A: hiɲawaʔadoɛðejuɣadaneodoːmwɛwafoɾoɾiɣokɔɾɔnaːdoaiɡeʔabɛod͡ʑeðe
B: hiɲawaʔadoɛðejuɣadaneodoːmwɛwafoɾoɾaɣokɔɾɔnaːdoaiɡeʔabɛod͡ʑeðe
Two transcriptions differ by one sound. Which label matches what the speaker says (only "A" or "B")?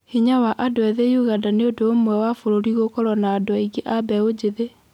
A